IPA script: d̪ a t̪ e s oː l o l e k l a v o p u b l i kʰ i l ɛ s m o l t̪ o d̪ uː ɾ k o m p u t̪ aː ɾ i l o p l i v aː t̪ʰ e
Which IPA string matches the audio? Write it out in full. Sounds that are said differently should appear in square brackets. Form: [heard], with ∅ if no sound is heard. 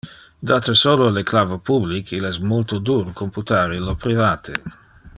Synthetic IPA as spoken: d̪ a t̪ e s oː l o l e k l a v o p u b l i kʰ i l ɛ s m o l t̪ o d̪ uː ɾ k o m p u t̪ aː ɾ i l o p [ɾ] i v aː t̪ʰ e